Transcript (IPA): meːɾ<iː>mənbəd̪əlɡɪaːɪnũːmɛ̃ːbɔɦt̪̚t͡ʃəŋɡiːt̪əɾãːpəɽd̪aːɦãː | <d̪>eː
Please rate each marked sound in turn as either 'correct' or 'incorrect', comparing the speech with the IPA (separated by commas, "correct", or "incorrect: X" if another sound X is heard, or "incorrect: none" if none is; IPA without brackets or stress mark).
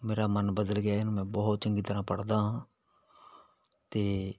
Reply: incorrect: aː, incorrect: t̪